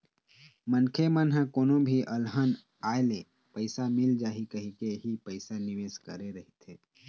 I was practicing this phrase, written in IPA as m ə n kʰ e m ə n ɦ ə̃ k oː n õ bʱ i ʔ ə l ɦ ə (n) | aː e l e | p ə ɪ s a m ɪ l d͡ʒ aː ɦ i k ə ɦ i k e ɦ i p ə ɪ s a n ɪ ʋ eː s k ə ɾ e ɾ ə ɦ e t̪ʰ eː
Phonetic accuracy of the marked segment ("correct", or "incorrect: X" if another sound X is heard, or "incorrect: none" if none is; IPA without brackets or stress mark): correct